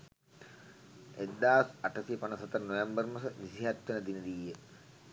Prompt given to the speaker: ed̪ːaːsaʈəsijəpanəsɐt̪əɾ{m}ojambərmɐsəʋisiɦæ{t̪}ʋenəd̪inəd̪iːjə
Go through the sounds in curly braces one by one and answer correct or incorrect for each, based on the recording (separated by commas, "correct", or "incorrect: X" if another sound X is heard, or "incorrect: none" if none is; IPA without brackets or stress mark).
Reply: incorrect: n, correct